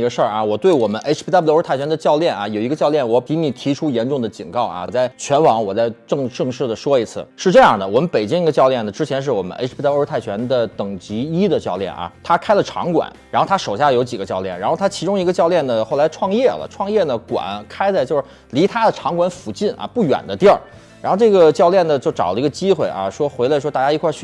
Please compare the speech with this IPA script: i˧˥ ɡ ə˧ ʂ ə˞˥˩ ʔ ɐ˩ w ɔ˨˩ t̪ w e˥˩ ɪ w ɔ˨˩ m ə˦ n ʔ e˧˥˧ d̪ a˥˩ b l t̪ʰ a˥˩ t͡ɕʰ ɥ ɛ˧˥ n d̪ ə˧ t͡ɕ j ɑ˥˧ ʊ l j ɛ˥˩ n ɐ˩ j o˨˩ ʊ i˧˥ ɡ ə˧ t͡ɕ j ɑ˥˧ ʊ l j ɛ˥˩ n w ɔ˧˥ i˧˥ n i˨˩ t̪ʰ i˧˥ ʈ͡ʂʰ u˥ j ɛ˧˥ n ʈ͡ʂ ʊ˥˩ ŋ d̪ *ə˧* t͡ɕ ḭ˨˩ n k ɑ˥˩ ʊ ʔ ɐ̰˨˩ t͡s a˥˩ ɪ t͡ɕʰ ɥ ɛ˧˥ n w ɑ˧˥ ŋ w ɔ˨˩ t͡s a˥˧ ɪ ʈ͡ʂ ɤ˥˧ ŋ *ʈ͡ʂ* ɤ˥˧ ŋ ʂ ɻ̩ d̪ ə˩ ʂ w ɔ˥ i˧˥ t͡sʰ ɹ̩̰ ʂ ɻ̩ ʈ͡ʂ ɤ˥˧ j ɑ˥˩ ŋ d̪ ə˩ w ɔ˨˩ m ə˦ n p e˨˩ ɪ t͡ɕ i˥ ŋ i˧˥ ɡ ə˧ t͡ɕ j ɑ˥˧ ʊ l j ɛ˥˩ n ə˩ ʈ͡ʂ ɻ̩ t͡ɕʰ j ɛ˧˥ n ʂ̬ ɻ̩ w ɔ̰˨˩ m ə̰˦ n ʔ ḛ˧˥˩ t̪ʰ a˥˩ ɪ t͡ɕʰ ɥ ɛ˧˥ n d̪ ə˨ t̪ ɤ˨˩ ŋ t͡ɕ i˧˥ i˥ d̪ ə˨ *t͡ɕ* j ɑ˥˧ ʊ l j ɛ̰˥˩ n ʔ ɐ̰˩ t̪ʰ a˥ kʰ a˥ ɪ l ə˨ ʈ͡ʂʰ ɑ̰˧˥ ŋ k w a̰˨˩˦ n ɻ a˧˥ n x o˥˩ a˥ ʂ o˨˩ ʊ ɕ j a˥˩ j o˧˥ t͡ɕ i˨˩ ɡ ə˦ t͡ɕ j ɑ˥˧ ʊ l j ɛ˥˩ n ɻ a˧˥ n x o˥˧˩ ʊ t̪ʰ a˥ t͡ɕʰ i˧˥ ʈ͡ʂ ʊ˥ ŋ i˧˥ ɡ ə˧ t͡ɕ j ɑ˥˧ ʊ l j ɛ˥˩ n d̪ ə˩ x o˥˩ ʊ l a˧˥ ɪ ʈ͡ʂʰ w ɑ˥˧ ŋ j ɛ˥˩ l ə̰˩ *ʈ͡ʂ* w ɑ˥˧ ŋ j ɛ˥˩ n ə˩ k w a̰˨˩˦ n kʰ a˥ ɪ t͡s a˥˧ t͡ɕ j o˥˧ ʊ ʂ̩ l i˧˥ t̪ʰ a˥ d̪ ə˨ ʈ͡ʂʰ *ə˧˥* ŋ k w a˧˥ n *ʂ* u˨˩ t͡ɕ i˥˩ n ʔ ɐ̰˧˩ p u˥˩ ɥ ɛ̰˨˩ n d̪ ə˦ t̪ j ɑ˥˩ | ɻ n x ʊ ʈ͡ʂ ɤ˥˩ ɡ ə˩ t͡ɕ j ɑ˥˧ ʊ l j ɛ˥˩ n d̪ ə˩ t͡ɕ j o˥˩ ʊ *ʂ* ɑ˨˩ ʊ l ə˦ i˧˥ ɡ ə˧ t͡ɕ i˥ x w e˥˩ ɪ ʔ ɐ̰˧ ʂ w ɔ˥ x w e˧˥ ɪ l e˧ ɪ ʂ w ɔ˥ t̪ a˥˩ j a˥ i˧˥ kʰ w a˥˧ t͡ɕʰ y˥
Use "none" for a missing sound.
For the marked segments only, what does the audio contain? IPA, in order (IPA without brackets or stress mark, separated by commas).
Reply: ə˩, ʈ͡ʂ, t͡ɕ, ʈ͡ʂʰ, ɑ˧˥, f, ʈ͡ʂ